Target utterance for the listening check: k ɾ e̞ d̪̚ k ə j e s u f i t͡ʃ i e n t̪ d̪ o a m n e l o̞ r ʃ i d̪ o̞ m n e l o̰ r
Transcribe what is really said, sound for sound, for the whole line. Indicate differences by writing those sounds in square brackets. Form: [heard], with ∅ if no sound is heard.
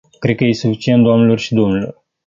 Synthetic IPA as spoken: k ɾ e̞ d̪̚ k ə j e s u f i t͡ʃ i e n t̪ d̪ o a m n e l o̞ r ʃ i d̪ o̞ m n e l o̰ r